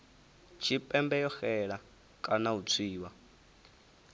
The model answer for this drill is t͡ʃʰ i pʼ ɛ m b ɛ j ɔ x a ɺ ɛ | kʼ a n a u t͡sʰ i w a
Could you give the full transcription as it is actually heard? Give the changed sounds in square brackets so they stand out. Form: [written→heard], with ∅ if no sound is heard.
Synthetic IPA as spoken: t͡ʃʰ i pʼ ɛ m b ɛ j ɔ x [a→ɛ] ɺ [ɛ→a] | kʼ a n a u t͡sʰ [i→iː] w a